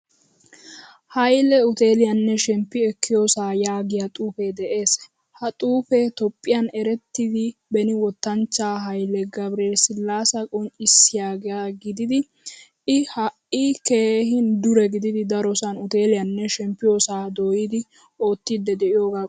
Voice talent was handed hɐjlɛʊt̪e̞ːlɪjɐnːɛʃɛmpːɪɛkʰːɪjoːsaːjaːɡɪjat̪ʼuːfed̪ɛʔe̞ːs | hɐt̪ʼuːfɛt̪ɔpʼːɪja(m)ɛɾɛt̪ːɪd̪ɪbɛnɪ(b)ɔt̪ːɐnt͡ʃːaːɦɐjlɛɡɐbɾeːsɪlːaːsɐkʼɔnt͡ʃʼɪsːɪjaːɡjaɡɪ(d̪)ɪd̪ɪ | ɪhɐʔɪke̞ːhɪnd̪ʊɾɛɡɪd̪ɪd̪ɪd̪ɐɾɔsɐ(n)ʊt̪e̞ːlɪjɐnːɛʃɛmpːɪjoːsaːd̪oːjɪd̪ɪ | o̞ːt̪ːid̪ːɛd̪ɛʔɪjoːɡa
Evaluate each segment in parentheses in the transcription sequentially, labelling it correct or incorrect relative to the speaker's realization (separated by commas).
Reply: incorrect, incorrect, correct, correct